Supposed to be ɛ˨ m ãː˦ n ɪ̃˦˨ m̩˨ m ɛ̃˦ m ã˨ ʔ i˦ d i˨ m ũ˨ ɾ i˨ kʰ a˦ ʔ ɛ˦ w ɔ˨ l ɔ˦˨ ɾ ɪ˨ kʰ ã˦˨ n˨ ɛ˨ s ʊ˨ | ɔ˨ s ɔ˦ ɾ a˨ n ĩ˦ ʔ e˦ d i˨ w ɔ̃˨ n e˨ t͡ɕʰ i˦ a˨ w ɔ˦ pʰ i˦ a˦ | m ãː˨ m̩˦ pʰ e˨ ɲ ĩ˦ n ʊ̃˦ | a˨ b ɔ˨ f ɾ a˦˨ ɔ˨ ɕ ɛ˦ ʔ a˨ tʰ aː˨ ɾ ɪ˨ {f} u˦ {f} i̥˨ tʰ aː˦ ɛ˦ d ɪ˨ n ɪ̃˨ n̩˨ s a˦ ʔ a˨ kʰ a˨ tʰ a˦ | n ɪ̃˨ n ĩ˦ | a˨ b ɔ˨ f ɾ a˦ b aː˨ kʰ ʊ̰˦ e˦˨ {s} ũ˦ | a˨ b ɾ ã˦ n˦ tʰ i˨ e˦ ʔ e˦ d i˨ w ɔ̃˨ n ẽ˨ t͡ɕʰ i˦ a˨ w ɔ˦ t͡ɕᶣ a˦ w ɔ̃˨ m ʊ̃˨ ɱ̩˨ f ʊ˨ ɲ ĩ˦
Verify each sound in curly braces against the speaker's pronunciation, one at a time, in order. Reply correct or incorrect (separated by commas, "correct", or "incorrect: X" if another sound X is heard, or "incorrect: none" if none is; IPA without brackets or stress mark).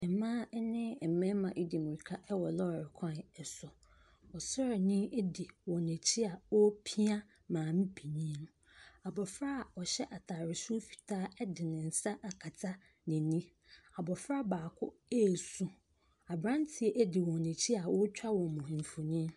incorrect: s, correct, correct